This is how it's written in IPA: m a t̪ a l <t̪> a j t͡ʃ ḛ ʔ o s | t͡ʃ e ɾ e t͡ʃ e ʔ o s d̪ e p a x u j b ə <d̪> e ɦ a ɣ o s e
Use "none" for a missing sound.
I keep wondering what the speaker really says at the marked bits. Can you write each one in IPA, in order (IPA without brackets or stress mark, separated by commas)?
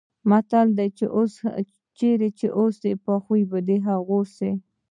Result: d̪, d̪